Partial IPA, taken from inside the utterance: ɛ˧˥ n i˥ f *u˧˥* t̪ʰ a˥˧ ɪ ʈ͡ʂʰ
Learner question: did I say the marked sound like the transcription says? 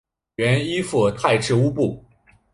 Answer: no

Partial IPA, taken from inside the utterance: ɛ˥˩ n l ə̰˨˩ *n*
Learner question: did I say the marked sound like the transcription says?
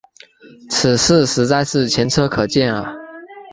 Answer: no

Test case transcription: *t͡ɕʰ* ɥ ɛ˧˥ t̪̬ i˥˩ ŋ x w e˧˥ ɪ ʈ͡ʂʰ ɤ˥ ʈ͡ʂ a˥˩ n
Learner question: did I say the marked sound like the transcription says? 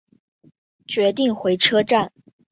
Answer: no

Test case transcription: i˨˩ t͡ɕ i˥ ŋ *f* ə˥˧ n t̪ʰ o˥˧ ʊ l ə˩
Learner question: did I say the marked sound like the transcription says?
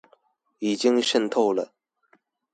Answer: no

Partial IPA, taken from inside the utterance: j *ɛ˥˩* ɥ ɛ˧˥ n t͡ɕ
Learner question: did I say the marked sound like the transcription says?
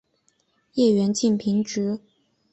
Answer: yes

